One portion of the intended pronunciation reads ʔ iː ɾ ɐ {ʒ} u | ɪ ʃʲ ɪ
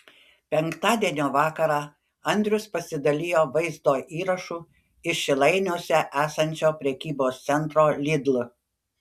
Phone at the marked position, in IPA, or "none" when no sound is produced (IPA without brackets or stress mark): ʃ